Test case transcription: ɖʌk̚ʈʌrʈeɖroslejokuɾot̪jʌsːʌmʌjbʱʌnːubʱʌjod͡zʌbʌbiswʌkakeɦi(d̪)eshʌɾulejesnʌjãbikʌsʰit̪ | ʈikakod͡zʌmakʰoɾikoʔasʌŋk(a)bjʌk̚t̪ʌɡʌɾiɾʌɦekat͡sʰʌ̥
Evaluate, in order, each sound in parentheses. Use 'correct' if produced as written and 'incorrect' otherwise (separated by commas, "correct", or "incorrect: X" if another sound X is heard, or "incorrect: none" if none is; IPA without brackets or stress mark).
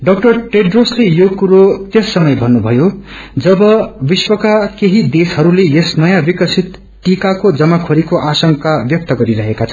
correct, correct